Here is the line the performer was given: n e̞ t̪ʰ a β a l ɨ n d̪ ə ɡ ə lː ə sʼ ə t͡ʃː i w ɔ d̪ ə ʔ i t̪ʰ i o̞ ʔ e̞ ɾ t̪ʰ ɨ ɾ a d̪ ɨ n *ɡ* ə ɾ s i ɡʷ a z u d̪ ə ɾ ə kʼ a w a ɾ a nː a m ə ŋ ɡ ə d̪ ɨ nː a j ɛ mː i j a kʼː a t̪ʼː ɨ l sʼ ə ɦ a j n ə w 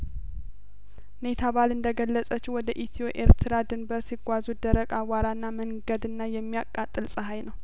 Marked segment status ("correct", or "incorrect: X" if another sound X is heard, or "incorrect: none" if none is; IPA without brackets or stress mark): incorrect: b